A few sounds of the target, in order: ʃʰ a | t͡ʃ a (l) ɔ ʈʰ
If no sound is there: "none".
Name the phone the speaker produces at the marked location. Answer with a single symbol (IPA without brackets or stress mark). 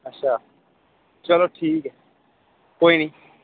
l